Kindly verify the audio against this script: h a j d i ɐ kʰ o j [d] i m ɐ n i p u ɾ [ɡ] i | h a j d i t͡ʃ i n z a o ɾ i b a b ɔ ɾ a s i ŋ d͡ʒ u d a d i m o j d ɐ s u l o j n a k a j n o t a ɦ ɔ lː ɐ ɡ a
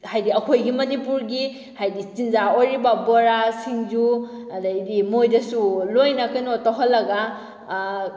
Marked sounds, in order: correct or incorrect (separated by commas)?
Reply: incorrect, correct